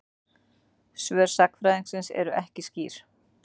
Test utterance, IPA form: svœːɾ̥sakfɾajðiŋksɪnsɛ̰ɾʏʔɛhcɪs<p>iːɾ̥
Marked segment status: incorrect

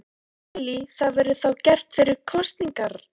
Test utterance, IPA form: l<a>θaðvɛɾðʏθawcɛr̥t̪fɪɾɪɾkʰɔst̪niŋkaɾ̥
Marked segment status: incorrect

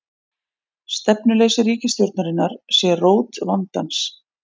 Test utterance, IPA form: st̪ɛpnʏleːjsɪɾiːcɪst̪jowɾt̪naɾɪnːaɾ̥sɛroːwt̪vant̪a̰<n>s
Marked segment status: correct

